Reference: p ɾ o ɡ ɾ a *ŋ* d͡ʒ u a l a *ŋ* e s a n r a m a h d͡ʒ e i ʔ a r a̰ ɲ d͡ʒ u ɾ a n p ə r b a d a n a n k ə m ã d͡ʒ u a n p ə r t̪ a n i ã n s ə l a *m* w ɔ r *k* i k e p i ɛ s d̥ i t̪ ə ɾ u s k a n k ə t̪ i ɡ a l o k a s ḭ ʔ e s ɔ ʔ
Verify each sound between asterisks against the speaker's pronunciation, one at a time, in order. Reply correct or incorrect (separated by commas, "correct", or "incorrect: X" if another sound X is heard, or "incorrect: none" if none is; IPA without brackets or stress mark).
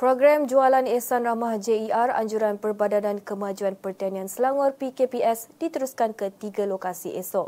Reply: incorrect: m, incorrect: n, incorrect: ŋ, incorrect: p